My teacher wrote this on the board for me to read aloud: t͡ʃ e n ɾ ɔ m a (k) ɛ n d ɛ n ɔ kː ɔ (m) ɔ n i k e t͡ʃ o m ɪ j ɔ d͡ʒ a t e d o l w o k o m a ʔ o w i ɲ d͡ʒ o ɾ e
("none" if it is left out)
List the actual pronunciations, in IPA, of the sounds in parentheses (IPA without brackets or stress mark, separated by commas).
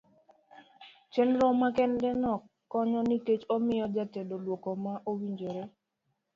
k, ɲ